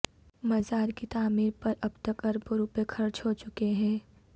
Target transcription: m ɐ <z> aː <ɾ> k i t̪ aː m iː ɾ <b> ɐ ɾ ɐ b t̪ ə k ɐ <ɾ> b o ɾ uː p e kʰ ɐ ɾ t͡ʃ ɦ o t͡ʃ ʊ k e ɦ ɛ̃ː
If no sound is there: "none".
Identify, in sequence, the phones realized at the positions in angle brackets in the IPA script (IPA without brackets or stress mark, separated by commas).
z, ɾ, p, ɾ